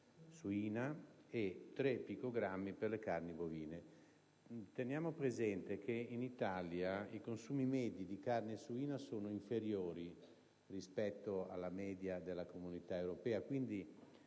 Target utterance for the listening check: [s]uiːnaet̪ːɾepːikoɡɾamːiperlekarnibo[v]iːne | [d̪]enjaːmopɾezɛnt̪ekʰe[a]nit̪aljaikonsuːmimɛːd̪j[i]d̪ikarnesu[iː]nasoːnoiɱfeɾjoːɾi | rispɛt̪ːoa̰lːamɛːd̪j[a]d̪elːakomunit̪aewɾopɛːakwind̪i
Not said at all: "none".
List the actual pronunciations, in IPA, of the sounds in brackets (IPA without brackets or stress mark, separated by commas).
s, v, t̪, i, i, iː, a